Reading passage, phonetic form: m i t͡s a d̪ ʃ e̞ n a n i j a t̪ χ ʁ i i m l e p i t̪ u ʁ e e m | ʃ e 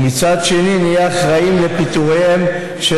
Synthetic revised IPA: m i t͡s a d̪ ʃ e̞ n i n i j a χ ʁ a i m l e p i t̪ u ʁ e e m | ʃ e